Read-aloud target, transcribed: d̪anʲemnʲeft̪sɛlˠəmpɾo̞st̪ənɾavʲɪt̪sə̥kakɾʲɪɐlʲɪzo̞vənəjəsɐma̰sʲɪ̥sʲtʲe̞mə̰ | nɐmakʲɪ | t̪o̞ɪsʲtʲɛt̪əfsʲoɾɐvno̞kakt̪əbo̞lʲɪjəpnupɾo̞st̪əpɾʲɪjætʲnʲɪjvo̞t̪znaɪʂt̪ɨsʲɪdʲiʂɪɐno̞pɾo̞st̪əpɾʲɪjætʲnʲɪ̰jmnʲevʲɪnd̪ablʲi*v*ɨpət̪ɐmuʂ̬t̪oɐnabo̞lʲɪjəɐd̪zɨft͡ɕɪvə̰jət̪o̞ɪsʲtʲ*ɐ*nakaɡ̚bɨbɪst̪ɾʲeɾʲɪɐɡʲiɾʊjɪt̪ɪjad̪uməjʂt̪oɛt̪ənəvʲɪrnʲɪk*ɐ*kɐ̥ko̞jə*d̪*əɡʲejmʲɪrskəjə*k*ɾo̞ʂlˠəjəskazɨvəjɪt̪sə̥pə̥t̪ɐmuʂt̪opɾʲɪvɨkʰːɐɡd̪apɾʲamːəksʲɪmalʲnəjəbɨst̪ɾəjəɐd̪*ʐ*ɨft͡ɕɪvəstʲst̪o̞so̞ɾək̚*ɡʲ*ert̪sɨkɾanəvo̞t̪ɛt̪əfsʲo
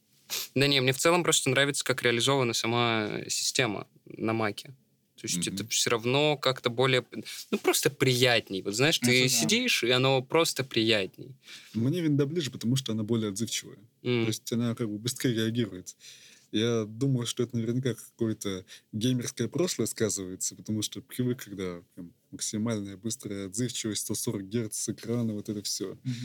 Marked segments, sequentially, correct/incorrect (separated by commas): incorrect, correct, incorrect, incorrect, incorrect, incorrect, correct